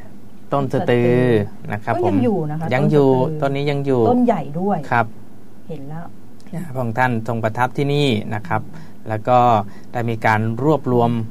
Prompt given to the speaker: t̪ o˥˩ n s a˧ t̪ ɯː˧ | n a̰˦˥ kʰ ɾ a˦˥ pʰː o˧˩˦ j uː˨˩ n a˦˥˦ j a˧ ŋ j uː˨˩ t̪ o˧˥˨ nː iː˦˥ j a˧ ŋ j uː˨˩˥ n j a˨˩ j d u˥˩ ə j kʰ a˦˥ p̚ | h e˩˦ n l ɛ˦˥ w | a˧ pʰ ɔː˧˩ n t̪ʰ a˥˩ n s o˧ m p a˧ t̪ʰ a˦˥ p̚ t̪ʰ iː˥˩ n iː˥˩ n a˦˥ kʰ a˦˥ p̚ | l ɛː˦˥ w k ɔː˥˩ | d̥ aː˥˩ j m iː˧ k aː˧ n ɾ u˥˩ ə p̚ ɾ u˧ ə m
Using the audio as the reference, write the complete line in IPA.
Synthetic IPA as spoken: t̪ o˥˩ n s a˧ t̪ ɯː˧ | n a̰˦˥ kʰ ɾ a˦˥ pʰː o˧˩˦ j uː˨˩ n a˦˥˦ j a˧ ŋ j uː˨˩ t̪ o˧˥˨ nː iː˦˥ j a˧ ŋ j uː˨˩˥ n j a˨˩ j d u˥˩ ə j kʰ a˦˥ p̚ | h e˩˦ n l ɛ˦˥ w | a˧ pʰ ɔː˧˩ ŋ t̪ʰ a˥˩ n s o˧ ŋ p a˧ t̪ʰ a˦˥ p̚ t̪ʰ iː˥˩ n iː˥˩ n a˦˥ kʰ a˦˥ p̚ | l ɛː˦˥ w k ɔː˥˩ | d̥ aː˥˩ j m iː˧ k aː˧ n ɾ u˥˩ ə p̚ ɾ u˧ ə m